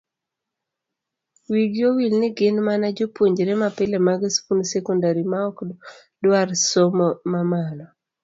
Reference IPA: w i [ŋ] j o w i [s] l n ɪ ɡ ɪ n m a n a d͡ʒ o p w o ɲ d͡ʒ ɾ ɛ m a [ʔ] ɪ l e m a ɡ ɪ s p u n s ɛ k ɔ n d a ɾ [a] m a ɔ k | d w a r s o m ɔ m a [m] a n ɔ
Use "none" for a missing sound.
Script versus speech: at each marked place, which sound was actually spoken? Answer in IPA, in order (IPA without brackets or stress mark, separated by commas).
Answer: ɡ, none, p, i, m